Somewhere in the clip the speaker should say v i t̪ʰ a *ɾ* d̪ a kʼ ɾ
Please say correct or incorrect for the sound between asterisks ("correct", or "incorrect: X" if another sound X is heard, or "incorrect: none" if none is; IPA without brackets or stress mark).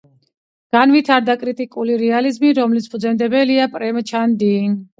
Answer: correct